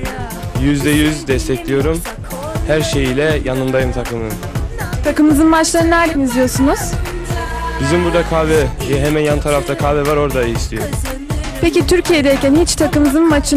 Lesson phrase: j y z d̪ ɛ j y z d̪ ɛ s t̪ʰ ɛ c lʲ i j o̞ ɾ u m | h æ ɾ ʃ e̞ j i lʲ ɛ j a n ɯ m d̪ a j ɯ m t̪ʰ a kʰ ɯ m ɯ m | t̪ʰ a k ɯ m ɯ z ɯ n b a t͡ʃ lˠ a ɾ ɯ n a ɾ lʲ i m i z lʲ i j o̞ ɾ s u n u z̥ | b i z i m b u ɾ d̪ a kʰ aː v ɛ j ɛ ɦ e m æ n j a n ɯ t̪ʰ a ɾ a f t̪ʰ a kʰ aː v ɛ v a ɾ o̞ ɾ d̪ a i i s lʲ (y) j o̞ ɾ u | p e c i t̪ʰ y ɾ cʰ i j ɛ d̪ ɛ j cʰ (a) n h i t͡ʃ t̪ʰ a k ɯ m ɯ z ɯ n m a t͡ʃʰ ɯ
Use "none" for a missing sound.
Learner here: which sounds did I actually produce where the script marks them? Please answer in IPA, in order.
i, æ

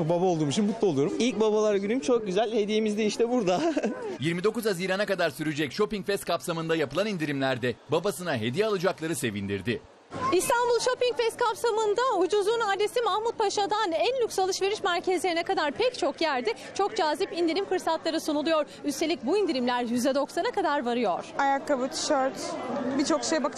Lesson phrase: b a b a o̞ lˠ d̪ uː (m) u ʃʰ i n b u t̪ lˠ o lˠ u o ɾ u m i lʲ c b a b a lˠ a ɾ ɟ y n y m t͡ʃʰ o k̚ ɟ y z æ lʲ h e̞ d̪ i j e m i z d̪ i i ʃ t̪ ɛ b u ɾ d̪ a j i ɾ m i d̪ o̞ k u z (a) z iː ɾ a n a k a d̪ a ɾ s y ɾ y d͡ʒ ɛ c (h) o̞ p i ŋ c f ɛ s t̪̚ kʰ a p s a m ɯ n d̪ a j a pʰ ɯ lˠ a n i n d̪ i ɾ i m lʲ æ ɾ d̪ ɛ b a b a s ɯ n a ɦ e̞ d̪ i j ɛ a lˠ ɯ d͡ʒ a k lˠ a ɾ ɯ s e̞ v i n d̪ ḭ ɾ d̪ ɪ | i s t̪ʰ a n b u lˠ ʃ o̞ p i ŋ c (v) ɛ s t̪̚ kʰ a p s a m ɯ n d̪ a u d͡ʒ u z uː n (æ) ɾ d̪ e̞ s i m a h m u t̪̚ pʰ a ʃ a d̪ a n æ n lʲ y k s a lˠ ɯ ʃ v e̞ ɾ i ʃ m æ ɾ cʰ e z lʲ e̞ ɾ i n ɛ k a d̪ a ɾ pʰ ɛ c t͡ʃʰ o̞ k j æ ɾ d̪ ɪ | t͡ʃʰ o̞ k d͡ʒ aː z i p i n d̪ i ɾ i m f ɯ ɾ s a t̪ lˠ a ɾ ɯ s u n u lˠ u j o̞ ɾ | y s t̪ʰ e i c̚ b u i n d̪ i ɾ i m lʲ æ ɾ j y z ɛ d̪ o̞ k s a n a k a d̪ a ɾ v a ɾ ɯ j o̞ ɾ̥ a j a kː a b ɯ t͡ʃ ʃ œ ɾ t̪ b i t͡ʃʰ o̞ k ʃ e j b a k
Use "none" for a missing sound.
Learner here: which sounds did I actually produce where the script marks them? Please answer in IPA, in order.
m, a, ʃ, f, a

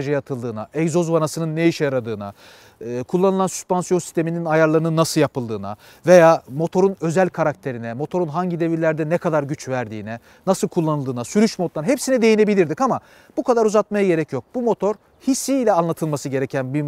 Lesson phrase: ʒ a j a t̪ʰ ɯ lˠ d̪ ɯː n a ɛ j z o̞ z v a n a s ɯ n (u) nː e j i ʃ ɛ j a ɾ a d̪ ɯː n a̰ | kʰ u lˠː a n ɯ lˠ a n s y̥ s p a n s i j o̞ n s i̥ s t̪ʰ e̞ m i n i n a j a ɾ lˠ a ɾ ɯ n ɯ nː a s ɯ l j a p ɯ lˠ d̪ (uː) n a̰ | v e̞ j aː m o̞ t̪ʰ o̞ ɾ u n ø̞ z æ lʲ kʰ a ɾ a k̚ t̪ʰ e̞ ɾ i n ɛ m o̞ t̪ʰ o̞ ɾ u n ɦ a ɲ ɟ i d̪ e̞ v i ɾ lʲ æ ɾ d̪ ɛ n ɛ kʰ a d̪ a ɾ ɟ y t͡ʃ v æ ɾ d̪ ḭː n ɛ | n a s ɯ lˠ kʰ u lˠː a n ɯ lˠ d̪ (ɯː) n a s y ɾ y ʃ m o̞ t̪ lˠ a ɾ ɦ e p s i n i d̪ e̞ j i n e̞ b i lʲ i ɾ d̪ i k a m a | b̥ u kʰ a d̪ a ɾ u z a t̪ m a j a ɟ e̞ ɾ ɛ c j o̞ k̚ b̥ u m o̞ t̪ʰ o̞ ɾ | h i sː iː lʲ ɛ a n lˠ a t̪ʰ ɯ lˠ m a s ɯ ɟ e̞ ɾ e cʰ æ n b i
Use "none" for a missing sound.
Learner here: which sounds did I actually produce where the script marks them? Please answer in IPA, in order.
ɯ, ɯː, ɯː

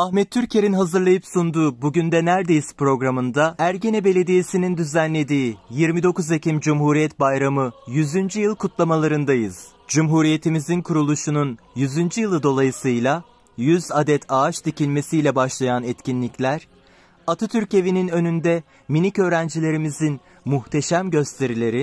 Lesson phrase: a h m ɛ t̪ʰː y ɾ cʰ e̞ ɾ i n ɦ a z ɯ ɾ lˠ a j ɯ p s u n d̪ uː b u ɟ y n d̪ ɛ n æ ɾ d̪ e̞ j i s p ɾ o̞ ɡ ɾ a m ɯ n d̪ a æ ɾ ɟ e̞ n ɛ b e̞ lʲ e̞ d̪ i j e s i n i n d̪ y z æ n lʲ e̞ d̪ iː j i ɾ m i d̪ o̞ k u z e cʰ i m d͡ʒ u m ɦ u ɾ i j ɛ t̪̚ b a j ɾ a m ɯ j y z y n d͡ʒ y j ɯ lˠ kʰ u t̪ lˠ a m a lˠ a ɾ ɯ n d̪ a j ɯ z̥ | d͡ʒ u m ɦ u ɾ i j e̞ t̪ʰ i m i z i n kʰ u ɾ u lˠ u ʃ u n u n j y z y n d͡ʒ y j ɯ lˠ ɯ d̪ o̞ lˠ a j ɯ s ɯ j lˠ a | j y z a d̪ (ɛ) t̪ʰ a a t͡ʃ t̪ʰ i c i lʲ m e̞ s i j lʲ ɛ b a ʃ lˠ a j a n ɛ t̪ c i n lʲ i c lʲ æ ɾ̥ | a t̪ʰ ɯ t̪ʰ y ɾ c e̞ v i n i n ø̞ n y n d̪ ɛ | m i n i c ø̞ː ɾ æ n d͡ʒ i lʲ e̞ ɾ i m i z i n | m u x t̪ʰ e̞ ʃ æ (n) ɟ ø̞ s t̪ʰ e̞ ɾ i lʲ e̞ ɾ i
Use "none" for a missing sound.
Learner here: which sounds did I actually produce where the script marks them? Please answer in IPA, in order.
ɛ, m

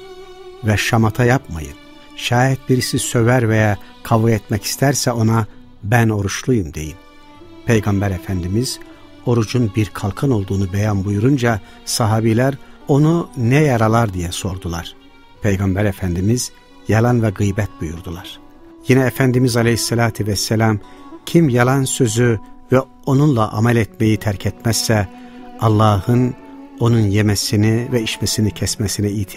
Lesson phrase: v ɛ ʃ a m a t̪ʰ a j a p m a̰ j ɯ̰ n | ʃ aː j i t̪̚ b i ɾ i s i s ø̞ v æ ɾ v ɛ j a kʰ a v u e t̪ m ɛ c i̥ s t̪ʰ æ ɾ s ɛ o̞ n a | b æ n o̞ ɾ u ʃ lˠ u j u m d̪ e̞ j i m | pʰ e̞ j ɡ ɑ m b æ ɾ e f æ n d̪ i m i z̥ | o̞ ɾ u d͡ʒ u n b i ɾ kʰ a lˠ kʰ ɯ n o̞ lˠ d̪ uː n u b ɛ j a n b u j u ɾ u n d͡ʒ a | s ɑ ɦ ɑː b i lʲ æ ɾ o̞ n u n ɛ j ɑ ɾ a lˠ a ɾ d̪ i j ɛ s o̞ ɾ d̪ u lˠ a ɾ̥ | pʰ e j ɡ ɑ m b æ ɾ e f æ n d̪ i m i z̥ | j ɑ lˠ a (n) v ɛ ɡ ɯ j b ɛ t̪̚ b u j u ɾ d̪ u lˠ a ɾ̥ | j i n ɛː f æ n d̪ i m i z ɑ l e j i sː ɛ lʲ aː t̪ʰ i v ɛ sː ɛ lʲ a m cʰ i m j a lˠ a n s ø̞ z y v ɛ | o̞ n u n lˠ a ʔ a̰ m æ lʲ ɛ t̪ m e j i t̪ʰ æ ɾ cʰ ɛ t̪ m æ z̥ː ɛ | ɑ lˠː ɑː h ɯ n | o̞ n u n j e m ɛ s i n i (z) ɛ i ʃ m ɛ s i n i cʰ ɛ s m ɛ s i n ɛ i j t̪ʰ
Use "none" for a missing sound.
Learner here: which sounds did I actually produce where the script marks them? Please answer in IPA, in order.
n, v

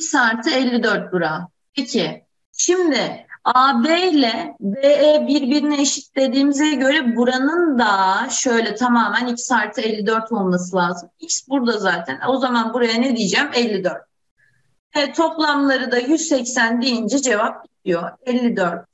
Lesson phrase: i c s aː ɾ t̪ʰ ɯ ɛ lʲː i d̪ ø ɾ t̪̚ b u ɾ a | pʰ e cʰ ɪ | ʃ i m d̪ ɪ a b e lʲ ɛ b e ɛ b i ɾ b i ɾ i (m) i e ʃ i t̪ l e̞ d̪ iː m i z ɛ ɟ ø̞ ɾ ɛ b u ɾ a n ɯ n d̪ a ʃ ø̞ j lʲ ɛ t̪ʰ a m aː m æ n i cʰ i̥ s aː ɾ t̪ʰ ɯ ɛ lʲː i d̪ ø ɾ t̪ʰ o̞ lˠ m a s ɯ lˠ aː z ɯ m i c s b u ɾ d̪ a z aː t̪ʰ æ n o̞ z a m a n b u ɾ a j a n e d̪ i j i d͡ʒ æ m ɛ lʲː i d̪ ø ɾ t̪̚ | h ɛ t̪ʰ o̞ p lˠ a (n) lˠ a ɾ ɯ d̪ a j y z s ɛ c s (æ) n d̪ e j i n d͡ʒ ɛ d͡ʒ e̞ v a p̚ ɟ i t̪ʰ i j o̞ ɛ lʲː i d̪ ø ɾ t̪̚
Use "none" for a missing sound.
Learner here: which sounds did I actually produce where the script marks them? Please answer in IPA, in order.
n, m, æ

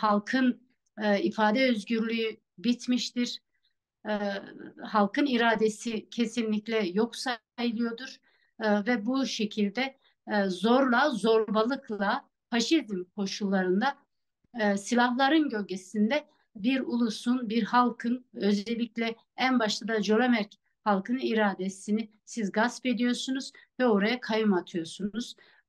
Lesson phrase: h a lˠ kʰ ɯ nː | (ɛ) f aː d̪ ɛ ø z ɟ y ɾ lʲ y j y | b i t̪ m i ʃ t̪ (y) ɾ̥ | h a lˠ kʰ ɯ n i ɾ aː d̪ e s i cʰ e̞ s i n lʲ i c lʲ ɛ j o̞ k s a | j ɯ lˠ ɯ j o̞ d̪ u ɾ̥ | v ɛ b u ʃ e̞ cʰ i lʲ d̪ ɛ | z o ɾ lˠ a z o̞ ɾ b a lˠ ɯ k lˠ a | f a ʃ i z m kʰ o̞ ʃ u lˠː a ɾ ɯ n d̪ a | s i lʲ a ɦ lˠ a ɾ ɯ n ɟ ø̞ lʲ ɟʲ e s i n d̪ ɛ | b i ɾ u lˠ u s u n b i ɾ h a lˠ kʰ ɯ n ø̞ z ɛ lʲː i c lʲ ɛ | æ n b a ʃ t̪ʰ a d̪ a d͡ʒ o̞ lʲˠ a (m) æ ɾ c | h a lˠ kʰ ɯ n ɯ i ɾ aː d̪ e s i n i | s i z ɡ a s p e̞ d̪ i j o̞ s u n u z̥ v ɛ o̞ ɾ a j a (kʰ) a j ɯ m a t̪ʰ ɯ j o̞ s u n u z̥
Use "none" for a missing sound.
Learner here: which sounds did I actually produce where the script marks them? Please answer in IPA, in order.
i, i, m, kʰ

